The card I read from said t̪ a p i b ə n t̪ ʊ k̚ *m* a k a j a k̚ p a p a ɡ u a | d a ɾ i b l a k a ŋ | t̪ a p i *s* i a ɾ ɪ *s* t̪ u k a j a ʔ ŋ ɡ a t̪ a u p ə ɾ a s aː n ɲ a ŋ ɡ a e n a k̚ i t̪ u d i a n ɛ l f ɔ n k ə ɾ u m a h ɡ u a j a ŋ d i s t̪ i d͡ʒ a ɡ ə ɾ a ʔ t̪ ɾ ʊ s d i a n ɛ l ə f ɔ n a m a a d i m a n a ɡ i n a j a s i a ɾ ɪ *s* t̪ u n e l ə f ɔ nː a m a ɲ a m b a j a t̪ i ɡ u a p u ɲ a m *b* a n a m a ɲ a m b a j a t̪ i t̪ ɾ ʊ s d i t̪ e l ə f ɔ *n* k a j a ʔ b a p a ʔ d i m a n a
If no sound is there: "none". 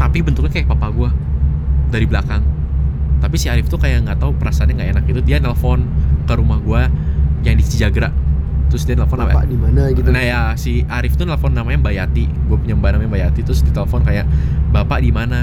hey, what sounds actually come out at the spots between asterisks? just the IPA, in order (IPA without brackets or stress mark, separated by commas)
ɲ, s, f, f, b, n